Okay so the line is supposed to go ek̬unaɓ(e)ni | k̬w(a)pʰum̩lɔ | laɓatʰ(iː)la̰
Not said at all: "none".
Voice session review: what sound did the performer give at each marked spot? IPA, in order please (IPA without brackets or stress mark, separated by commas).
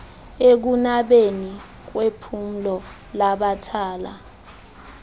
e, e, aː